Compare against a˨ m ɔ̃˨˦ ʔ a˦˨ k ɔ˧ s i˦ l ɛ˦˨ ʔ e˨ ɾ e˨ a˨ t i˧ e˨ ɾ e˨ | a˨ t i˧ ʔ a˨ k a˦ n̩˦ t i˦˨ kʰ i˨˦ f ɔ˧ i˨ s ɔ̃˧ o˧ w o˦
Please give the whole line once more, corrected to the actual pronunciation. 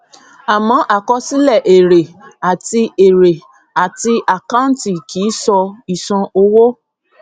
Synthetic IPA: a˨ m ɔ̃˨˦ ʔ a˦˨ k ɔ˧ s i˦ l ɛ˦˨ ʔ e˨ ɾ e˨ a˨ t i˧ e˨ ɾ e˨ | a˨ t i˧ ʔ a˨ k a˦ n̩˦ t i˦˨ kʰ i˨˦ s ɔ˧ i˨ s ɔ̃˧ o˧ w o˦